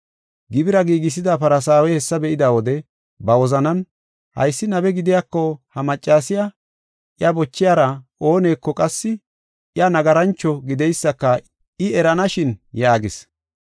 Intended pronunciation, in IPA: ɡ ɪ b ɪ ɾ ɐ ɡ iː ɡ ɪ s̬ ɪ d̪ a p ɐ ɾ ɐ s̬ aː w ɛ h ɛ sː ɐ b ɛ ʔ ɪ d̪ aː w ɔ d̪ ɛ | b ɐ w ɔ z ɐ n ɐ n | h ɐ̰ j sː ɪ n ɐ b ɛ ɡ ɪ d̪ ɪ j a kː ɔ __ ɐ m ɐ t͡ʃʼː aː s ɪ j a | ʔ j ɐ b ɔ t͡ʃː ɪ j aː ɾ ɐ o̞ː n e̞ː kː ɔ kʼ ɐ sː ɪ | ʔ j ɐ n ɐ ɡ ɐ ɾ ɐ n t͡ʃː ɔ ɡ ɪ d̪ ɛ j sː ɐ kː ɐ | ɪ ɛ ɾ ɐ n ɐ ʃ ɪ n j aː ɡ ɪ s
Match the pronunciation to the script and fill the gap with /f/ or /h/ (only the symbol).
h